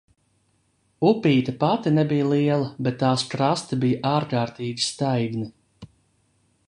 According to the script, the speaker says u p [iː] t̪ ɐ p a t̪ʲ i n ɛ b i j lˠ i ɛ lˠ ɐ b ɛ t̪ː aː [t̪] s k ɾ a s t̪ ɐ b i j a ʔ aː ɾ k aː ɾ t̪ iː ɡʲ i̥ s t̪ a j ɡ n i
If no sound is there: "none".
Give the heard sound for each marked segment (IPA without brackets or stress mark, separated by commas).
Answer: iː, none